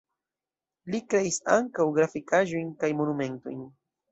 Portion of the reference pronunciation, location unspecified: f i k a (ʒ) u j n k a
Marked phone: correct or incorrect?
correct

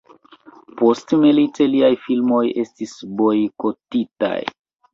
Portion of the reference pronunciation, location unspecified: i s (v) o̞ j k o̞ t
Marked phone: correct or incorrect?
incorrect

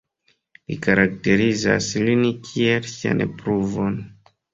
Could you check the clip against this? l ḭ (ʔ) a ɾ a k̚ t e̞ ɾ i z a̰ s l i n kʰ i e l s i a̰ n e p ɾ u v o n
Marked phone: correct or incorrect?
incorrect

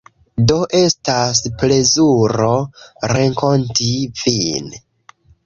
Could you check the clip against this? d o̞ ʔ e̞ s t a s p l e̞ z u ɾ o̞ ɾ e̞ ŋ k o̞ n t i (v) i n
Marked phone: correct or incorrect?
correct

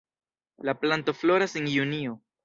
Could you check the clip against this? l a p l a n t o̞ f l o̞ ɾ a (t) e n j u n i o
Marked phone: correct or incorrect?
incorrect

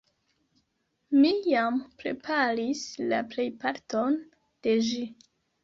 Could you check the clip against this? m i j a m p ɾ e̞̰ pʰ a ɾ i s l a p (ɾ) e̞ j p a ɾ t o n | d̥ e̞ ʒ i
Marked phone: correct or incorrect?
incorrect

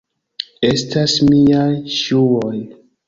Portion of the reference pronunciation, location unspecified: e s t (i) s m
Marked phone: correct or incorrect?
incorrect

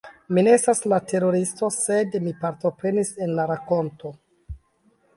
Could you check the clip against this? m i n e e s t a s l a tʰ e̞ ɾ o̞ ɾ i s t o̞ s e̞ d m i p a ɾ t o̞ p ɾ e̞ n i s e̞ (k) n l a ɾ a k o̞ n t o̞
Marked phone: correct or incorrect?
incorrect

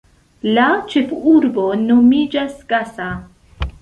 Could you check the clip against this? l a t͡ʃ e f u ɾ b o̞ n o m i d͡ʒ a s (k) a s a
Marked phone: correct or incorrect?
incorrect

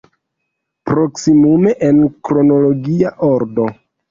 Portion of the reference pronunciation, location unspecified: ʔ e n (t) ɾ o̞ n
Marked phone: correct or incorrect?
incorrect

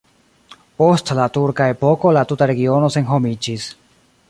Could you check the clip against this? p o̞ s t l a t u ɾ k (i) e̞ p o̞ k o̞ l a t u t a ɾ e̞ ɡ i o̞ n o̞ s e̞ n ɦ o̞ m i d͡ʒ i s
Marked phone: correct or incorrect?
incorrect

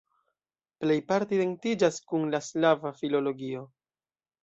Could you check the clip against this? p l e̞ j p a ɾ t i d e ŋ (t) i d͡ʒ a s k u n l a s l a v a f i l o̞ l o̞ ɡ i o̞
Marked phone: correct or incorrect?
correct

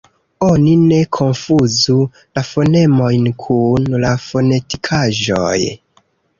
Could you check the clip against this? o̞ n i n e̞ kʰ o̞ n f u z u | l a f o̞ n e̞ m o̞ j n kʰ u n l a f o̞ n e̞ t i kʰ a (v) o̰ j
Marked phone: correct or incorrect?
incorrect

